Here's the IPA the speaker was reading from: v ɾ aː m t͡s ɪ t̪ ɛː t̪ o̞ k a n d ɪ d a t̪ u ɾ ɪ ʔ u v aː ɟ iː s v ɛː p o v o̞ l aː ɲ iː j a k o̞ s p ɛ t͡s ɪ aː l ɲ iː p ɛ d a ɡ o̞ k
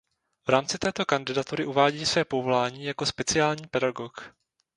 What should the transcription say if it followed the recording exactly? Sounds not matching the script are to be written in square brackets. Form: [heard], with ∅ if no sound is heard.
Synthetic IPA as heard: v ɾ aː m t͡s ɪ t̪ ɛː t̪ o̞ k a n d ɪ d a t̪ u ɾ ɪ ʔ u v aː ɟ iː s v ɛː p o v o̞ l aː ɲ iː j a k o̞ s p ɛ t͡s ɪ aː l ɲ iː p ɛ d a ɡ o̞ k